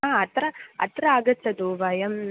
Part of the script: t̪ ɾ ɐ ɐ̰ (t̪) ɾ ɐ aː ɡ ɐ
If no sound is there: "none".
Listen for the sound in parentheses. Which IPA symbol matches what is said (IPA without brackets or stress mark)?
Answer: t̪